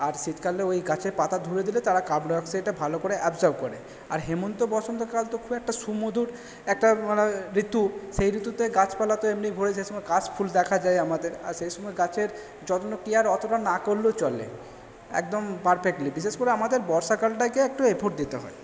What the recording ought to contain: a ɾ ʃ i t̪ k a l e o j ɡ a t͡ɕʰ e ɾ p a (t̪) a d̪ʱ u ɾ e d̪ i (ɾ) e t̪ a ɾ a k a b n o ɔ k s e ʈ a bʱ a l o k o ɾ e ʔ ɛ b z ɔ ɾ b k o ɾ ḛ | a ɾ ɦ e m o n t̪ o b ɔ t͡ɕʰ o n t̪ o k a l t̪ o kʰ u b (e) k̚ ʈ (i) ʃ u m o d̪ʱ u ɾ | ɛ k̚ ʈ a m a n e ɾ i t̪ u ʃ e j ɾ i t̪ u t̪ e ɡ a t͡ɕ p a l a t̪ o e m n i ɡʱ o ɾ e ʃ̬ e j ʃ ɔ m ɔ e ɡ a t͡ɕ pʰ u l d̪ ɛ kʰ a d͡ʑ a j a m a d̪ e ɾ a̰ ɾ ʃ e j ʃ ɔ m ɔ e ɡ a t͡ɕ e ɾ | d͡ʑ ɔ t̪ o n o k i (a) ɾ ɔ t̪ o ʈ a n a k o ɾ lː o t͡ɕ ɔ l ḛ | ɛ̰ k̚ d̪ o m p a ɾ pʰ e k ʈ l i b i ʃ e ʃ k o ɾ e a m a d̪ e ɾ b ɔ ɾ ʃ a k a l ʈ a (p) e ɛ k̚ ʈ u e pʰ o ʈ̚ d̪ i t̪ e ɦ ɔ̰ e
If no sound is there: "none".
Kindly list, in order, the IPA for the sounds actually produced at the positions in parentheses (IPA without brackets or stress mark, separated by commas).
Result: t̪, l, ɛ, a, a, k